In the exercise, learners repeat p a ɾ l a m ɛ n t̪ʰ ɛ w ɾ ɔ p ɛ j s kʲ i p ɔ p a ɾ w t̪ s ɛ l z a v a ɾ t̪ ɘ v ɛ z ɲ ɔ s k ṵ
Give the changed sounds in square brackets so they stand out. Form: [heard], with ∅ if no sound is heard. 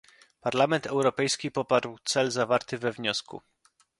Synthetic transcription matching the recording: p a ɾ l a m ɛ n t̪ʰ ɛ w ɾ ɔ p ɛ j s kʲ i p ɔ p a ɾ w t̪ s ɛ l z a v a ɾ t̪ ɘ v ɛ [v] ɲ ɔ s k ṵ